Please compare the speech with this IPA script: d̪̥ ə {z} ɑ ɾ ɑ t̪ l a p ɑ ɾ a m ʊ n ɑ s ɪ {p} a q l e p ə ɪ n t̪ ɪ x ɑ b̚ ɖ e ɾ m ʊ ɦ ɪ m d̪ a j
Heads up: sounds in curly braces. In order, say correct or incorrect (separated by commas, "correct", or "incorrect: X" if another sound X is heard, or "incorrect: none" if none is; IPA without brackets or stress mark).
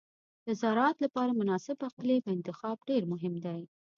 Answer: correct, incorrect: b